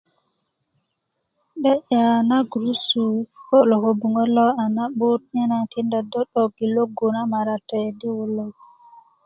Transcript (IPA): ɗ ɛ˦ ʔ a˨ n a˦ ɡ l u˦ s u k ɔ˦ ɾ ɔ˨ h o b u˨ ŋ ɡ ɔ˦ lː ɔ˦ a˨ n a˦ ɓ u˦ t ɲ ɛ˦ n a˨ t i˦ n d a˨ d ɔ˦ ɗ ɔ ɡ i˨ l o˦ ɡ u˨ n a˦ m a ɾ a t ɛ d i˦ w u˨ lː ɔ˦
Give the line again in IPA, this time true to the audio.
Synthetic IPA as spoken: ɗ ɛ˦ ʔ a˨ n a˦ ɡ ɾ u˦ s u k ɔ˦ l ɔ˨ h o b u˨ ŋ ɡ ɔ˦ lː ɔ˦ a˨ n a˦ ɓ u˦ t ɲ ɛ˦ n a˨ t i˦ n d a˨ d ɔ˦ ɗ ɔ ɡ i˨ l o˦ ɡ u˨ n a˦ m a ɾ a t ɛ d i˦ w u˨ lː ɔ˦